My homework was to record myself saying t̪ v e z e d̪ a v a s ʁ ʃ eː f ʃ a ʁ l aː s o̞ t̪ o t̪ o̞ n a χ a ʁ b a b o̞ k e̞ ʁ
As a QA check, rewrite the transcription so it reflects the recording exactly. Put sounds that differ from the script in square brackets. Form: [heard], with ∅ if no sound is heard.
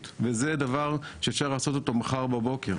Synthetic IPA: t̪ v e z e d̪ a v a [∅] ʁ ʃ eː f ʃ a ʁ l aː s o̞ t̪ o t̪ o̞ [m] a χ a ʁ b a b o̞ k e̞ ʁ